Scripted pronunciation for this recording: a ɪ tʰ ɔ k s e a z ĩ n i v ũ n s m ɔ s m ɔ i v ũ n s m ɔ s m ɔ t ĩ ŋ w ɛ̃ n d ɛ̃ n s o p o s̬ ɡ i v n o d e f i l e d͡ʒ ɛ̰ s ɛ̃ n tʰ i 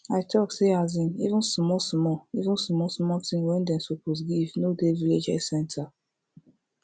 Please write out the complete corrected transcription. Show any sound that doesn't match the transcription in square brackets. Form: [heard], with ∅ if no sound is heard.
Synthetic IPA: a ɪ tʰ ɔ k s e a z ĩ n i v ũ n s m ɔ s m ɔ i v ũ n s m ɔ s m ɔ t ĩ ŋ w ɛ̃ n d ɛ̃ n s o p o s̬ ɡ i v n o d e [v] i l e d͡ʒ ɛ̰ s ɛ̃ n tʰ [a]